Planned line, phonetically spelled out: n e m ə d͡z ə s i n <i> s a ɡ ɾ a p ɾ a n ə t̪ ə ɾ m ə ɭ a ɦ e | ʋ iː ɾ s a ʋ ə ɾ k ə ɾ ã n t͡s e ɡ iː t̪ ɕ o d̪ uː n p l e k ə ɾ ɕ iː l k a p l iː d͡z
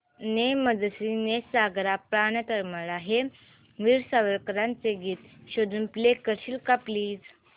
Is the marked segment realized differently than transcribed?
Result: yes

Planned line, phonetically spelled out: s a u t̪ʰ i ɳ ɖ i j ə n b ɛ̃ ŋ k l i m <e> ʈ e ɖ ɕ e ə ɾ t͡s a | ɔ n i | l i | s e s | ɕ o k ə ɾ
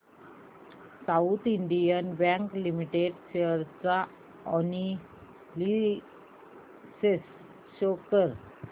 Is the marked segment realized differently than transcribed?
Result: yes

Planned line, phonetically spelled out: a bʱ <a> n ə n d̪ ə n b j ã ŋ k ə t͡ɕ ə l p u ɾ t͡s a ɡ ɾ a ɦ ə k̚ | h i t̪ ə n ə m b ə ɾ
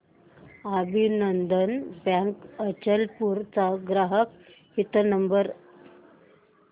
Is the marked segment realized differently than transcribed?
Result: yes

